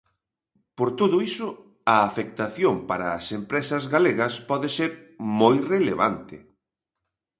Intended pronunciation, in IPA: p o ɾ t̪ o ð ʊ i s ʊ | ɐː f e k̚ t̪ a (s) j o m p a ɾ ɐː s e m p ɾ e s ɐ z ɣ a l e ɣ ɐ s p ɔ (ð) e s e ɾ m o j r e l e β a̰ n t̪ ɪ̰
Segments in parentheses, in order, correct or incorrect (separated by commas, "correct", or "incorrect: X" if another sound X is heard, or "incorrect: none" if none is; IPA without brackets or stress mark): incorrect: θ, correct